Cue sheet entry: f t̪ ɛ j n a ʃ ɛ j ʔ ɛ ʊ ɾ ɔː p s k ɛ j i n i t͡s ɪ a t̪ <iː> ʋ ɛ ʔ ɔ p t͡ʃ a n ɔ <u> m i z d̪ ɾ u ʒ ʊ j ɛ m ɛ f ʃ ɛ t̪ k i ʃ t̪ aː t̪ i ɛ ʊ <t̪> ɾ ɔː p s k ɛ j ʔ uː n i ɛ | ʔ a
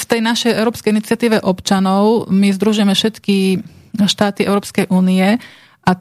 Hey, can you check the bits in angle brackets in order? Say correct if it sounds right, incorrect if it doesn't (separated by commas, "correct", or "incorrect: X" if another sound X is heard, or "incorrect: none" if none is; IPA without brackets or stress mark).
correct, incorrect: ʊ, incorrect: none